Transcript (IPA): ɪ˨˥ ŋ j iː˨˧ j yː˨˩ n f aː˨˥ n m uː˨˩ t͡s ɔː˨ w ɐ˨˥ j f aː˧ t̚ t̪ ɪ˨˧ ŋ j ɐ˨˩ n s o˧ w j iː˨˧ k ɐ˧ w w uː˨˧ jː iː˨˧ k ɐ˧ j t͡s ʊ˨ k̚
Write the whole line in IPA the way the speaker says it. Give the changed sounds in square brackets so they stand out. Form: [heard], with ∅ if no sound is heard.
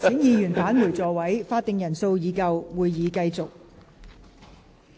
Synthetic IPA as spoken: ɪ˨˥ ŋ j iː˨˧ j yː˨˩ n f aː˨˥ n m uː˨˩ t͡s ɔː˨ w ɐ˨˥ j f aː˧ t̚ t̪ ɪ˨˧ ŋ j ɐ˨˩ n s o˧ w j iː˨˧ k ɐ˧ w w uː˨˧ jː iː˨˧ k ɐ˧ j t͡s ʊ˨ k̚

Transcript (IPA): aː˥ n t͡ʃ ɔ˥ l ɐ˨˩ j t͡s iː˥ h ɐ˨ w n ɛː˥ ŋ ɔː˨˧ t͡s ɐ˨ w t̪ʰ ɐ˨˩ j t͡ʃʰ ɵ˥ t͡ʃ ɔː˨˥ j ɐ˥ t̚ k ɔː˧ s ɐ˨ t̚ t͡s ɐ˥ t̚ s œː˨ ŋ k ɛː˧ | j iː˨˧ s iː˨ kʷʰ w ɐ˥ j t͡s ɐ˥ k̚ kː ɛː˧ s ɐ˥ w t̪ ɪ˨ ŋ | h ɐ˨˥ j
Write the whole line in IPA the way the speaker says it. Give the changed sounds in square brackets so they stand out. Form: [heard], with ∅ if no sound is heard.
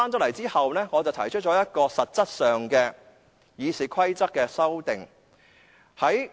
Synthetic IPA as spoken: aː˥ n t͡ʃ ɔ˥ l ɐ˨˩ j t͡s iː˥ h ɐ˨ w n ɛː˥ ŋ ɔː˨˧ t͡s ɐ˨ w t̪ʰ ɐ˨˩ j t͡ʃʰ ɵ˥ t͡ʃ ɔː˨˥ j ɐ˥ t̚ k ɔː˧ s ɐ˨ t̚ t͡s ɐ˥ t̚ s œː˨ ŋ k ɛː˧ | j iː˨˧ s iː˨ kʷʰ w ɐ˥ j t͡s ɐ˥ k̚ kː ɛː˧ s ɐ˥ w t̪ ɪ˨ ŋ | h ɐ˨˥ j

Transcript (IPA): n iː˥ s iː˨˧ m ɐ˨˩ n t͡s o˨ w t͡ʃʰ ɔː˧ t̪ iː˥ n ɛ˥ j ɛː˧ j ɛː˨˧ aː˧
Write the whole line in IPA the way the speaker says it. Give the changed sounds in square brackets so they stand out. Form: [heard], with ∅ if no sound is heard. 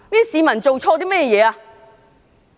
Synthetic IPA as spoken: n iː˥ s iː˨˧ m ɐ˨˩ n t͡s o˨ w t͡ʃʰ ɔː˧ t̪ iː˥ [m] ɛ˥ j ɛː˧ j ɛː˨˧ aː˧

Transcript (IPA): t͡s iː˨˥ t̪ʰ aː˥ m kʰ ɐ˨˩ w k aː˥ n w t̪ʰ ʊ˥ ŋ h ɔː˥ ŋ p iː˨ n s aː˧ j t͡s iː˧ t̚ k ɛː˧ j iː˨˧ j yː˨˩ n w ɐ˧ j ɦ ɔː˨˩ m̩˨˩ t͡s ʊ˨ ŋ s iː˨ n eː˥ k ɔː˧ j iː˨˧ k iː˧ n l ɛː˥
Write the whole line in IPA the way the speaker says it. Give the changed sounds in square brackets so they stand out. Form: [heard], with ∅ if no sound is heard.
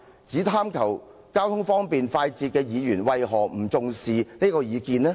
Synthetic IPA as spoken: t͡s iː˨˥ t̪ʰ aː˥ m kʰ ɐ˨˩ w k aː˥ [∅] w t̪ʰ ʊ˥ ŋ [f] ɔː˥ ŋ p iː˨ n [f] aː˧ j t͡s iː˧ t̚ k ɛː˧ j iː˨˧ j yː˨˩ n w ɐ˧ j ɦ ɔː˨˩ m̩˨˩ t͡s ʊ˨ ŋ s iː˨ n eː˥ k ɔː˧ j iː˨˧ k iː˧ n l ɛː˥

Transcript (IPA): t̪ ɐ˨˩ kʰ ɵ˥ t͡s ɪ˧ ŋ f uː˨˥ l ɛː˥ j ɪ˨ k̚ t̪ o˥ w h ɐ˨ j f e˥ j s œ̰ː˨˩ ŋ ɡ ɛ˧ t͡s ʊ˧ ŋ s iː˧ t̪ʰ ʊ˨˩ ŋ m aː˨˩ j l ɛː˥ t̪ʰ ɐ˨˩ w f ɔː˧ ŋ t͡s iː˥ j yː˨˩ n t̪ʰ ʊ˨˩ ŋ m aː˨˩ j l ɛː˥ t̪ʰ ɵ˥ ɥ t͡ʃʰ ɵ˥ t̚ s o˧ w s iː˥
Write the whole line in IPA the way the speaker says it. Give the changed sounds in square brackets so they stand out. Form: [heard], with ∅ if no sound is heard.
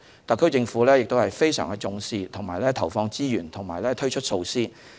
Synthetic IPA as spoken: t̪ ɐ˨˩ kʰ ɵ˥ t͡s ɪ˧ ŋ f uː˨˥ l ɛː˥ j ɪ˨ k̚ t̪ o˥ w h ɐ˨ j f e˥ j s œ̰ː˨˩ ŋ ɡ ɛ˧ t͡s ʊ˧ ŋ s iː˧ t̪ʰ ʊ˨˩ ŋ m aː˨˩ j l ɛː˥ t̪ʰ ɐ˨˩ w f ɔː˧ ŋ t͡s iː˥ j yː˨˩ n t̪ʰ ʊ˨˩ ŋ m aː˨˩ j l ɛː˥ t̪ʰ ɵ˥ ɥ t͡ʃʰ ɵ˥ t̚ s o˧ w s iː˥

